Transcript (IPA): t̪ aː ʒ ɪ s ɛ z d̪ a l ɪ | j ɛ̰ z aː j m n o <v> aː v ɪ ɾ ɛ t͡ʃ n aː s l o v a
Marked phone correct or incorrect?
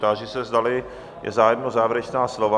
incorrect